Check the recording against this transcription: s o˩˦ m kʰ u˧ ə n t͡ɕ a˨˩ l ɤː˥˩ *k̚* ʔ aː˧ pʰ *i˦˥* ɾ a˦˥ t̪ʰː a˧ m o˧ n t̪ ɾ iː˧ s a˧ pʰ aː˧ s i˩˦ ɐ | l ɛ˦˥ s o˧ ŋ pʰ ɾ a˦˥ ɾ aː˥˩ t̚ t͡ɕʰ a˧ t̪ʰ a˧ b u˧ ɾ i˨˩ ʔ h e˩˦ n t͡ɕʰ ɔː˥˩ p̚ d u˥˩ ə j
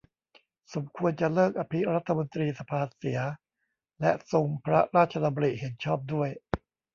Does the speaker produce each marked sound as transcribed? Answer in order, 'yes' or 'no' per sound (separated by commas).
yes, yes